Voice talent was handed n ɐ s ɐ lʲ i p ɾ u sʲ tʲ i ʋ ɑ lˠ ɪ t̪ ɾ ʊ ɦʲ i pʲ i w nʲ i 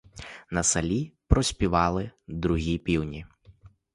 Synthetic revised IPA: n ɐ s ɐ lʲ i p ɾ ɔ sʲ pʲ i ʋ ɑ lˠ ɪ d̪ ɾ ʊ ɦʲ i pʲ i w nʲ i